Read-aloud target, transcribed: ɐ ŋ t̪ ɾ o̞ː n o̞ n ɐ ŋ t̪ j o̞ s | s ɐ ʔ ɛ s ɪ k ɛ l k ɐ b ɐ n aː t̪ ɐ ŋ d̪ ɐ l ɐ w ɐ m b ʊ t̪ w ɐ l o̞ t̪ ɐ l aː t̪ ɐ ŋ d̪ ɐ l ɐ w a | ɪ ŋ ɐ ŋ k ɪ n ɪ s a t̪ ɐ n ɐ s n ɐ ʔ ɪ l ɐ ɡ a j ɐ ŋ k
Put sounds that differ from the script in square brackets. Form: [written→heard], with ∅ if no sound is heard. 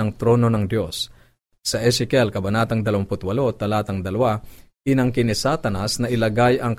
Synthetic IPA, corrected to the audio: ɐ ŋ t̪ ɾ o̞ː n o̞ n ɐ ŋ [t̪→d̪] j o̞ s | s ɐ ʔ ɛ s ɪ k ɛ l k ɐ b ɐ n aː t̪ ɐ ŋ d̪ ɐ l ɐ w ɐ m [b→p] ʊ t̪ w ɐ l o̞ t̪ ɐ l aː t̪ ɐ ŋ d̪ ɐ l ɐ w a | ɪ [ŋ→n] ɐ ŋ k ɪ n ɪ s a t̪ ɐ n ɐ s n ɐ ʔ ɪ l ɐ ɡ a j ɐ ŋ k